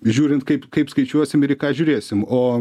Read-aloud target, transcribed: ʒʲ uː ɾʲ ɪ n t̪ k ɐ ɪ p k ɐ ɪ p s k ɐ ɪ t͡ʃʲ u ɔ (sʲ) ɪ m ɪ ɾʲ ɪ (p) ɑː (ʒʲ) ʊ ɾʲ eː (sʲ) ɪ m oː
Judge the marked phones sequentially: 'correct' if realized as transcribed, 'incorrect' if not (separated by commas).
correct, incorrect, correct, correct